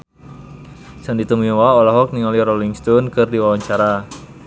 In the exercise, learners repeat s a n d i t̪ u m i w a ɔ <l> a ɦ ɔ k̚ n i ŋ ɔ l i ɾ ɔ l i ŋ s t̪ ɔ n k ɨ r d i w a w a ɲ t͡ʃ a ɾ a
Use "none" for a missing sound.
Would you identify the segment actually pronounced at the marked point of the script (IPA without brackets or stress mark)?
l